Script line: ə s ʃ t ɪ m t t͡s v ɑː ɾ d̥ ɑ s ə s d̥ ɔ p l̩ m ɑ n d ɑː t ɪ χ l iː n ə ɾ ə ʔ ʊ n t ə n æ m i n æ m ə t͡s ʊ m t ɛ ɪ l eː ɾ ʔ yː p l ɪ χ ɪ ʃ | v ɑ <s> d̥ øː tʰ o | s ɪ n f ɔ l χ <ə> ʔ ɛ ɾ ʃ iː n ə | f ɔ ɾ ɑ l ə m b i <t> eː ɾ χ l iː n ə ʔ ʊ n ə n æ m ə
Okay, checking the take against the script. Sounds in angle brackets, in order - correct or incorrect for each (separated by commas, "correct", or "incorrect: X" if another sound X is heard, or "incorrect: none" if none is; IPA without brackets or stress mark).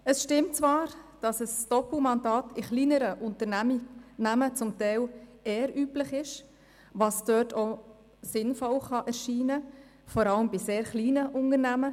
correct, incorrect: ɑ, incorrect: s